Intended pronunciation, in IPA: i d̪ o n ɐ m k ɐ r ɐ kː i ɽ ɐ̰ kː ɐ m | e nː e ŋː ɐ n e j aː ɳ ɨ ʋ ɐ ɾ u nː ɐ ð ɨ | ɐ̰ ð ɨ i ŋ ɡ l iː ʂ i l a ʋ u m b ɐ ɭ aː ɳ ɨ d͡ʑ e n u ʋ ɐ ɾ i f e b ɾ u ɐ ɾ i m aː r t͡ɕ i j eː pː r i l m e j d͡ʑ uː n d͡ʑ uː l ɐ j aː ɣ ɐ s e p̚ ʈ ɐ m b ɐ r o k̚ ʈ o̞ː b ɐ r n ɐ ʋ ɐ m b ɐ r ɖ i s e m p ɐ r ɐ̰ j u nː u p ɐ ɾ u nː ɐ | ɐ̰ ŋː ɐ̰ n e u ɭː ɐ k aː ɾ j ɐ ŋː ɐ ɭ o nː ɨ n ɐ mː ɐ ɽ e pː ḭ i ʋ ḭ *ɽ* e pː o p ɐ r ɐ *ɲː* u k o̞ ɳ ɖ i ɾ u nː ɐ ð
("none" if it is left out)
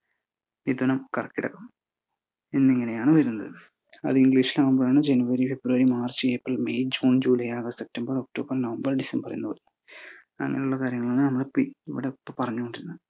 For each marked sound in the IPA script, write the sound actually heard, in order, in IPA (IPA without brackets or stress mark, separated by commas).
ɽ, ɲː